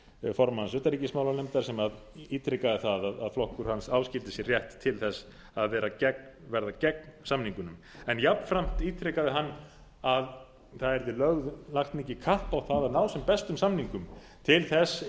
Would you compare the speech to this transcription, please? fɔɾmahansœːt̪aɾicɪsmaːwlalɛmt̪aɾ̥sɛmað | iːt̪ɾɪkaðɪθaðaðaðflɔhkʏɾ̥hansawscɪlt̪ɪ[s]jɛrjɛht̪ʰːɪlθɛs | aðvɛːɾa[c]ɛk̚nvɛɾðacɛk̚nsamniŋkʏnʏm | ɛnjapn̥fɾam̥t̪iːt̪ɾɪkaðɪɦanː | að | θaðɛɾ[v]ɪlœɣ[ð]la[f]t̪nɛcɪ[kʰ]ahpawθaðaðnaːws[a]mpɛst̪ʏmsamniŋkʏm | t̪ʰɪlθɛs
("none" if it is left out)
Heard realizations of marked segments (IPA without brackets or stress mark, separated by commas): s, c, ð, ð, x, kʰ, ɛ